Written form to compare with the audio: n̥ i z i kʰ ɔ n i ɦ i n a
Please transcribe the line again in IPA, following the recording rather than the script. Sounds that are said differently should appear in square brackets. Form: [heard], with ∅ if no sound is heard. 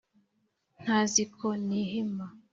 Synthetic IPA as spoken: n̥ [a] z i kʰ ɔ n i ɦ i [m] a